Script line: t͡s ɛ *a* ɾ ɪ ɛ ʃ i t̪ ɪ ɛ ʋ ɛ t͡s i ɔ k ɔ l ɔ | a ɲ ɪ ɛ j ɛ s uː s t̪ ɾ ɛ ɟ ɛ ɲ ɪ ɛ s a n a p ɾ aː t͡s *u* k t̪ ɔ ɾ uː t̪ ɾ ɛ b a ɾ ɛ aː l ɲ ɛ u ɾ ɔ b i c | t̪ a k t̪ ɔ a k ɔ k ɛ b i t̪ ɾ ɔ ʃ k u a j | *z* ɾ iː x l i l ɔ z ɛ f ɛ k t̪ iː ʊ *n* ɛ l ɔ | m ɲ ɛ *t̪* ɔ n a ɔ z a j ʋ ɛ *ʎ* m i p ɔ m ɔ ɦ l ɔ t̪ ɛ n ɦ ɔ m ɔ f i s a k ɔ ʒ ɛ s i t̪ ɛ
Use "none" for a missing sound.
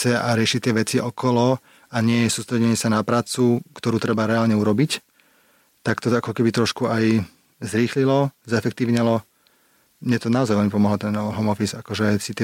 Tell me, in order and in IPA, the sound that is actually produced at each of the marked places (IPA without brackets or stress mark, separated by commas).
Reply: a, u, z, ɲ, t̪, l